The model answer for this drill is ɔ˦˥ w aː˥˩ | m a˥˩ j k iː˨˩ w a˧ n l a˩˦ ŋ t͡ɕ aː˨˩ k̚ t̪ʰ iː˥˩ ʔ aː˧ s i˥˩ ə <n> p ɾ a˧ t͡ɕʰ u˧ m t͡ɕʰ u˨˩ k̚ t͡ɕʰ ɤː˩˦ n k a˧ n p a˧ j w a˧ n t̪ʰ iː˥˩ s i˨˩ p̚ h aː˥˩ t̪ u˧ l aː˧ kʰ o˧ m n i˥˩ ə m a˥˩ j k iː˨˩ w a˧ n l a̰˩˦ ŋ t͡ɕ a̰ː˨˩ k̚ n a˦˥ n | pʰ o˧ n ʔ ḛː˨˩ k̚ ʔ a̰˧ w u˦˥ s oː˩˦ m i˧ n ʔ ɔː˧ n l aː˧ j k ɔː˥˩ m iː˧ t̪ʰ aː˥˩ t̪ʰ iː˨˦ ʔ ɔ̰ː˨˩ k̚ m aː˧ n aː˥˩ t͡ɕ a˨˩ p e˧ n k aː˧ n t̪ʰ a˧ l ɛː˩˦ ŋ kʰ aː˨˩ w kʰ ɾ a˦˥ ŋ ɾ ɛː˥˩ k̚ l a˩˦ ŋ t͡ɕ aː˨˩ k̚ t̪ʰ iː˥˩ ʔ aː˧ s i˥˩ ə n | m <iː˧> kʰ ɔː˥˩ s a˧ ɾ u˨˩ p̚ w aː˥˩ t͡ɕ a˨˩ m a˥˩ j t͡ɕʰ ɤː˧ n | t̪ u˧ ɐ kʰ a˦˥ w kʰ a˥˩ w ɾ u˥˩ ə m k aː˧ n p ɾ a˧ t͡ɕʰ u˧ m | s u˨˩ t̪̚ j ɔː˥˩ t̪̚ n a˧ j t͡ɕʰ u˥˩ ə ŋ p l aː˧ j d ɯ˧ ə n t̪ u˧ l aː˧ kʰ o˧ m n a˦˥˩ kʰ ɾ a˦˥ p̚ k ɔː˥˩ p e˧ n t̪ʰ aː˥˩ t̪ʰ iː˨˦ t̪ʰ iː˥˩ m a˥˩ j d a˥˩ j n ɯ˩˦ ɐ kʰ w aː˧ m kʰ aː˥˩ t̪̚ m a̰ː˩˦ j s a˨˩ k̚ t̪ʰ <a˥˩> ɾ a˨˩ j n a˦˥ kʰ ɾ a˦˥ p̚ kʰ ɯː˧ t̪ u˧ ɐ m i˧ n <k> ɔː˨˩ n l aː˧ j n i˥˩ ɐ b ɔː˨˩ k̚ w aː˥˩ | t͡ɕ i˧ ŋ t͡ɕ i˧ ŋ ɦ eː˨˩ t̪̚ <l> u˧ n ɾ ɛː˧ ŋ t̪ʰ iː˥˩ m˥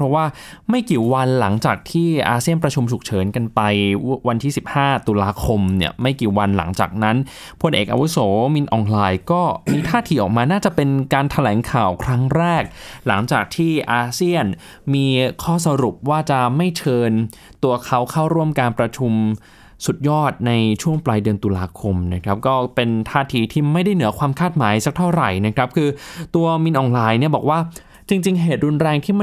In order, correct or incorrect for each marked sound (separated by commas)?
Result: correct, correct, correct, incorrect, incorrect